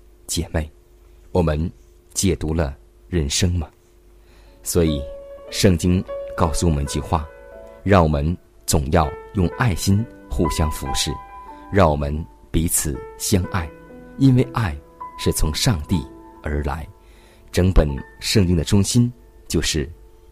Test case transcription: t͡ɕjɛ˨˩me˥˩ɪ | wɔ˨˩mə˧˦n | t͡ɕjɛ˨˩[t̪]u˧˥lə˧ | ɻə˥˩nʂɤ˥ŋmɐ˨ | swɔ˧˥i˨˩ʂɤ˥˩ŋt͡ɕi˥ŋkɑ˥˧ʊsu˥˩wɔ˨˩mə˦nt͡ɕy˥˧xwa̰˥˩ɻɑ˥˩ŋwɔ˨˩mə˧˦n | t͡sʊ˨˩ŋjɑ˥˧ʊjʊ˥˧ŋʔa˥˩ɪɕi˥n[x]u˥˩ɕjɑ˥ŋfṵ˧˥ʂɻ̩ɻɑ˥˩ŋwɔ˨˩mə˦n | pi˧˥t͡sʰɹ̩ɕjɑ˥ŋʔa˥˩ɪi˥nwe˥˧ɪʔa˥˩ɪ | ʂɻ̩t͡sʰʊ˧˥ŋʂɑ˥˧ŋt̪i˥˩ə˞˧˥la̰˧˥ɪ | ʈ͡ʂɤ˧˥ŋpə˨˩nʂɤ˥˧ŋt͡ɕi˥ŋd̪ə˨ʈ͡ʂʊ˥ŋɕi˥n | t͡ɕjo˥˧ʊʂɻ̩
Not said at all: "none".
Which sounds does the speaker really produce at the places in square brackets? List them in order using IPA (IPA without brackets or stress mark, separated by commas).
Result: t̪, x